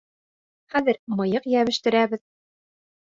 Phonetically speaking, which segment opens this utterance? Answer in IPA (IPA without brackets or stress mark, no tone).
χ